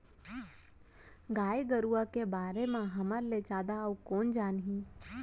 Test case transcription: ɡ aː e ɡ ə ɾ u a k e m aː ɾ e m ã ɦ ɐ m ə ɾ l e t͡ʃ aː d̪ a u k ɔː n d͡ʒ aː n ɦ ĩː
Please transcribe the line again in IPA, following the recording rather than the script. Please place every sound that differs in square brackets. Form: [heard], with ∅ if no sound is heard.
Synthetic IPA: ɡ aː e ɡ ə ɾ u a k e [b] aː ɾ e m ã ɦ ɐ m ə ɾ l e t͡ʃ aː d̪ a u k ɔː n d͡ʒ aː n ɦ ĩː